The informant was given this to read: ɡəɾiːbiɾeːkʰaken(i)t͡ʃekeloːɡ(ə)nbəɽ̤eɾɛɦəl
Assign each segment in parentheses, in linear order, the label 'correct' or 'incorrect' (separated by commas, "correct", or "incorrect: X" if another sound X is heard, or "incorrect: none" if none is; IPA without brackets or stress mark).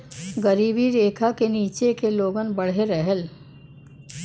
incorrect: iː, correct